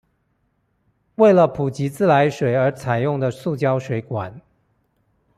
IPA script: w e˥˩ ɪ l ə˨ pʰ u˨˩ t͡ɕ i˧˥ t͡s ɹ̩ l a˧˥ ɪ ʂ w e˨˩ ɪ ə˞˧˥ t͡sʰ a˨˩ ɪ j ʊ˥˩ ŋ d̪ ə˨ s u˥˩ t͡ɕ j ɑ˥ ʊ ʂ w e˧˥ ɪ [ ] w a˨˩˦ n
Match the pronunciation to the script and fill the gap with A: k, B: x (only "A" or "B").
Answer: A